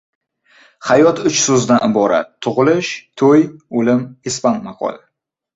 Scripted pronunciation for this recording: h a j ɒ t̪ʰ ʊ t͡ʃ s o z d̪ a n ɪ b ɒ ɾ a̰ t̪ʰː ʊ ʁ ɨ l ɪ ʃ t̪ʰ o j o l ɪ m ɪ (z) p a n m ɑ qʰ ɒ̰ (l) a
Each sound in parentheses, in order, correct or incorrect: incorrect, correct

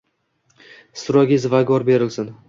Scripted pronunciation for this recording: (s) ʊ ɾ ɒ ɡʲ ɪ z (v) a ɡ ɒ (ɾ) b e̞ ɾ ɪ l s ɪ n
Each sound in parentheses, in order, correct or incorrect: correct, correct, correct

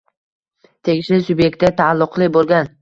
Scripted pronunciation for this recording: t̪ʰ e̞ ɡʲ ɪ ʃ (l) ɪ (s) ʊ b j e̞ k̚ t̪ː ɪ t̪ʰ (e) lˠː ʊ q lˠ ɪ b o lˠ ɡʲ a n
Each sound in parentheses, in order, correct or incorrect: correct, correct, incorrect

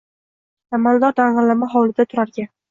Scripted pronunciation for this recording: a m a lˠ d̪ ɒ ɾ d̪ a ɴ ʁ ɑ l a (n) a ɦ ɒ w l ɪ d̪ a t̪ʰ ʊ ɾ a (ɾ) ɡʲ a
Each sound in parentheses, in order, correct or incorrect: incorrect, correct

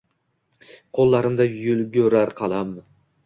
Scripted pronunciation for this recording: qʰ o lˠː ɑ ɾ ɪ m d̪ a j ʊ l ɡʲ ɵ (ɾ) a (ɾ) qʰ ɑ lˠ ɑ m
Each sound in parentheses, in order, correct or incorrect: correct, correct

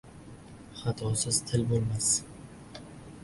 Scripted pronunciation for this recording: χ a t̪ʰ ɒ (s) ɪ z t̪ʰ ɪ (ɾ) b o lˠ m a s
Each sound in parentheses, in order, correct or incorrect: correct, incorrect

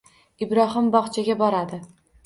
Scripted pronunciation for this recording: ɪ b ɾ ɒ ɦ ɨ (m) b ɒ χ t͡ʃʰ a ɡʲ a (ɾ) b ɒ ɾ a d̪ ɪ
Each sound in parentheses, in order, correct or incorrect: correct, incorrect

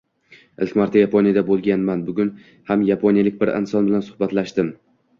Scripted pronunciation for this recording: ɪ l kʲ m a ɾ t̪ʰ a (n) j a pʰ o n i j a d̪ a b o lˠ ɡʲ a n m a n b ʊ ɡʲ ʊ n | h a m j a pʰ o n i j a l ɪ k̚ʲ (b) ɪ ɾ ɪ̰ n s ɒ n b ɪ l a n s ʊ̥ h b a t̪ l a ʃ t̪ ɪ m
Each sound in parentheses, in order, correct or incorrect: incorrect, correct

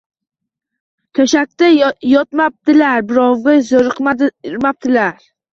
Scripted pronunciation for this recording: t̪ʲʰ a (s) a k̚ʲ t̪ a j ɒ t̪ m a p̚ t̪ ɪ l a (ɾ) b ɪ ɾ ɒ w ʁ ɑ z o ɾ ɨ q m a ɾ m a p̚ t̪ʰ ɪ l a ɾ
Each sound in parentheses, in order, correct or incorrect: incorrect, correct

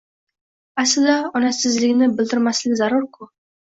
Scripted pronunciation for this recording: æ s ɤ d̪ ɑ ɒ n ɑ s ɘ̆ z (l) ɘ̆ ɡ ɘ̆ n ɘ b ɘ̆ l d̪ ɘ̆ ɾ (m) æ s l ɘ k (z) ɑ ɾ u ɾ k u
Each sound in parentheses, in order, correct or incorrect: correct, correct, correct

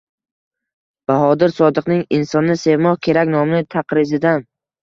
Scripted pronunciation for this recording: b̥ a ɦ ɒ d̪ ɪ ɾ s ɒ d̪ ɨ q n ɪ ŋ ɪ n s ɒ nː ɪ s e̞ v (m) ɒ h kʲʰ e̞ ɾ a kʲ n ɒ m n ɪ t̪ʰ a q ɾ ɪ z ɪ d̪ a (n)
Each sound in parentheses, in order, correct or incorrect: correct, correct

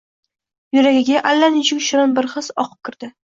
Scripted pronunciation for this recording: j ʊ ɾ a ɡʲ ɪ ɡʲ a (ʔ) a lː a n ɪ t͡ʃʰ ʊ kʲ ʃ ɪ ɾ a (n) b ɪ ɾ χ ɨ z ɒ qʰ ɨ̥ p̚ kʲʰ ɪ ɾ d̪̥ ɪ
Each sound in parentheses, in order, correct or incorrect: correct, correct

